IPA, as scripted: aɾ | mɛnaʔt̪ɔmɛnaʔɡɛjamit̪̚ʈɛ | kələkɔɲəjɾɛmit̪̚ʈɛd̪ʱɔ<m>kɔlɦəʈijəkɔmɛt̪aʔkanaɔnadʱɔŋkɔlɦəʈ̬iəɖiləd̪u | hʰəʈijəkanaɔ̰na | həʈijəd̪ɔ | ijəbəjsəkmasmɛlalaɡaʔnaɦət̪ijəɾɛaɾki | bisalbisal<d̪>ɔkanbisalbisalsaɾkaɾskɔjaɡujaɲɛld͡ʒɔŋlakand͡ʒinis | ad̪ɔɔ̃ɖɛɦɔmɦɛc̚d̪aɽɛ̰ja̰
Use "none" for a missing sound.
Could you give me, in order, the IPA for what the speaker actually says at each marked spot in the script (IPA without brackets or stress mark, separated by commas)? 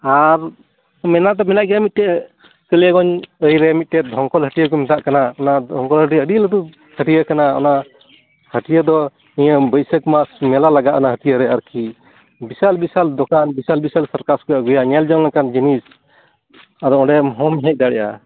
ŋ, d̪